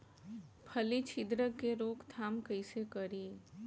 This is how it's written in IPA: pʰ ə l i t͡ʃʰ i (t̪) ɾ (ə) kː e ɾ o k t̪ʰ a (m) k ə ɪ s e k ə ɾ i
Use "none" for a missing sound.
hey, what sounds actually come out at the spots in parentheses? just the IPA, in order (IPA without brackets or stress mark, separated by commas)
d̪, ə, m